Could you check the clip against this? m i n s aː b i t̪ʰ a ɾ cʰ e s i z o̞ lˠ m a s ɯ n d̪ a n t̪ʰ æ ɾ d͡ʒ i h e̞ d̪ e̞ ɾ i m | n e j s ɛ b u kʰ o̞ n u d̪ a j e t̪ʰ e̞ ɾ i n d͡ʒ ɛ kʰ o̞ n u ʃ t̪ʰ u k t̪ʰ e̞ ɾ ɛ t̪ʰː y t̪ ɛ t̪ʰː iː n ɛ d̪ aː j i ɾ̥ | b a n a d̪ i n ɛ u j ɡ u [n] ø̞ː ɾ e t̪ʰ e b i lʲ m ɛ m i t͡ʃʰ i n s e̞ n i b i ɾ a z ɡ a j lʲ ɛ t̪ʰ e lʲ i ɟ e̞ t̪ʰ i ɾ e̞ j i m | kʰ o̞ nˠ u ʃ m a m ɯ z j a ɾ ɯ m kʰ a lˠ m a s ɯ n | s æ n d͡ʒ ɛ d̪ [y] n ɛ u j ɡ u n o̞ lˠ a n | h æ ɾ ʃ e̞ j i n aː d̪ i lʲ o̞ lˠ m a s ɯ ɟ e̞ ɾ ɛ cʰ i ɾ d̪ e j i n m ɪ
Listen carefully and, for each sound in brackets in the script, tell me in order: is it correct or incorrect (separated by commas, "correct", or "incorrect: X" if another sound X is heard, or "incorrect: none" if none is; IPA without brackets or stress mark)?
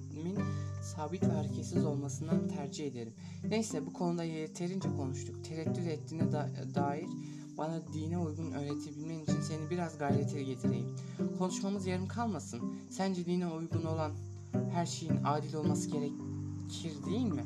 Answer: correct, incorrect: i